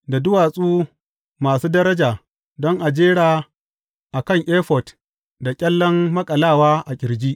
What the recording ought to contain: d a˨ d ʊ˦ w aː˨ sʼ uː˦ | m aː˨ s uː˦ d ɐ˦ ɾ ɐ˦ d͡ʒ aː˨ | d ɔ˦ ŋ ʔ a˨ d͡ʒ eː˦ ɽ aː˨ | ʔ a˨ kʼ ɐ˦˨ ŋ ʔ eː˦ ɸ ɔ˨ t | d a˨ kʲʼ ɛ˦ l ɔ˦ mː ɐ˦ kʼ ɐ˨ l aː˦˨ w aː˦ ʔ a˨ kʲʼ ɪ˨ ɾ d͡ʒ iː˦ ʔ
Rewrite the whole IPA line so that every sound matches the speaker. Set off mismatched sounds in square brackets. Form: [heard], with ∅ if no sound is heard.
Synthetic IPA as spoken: d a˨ d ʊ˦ w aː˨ sʼ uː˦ | m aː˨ s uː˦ d ɐ˦ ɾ ɐ˦ d͡ʒ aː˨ | d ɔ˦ ŋ ʔ a˨ d͡ʒ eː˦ ɽ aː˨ | ʔ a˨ [k] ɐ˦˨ ŋ ʔ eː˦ ɸ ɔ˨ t | d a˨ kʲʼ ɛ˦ [lː] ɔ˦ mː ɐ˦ kʼ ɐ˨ l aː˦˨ w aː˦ ʔ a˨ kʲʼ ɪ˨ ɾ d͡ʒ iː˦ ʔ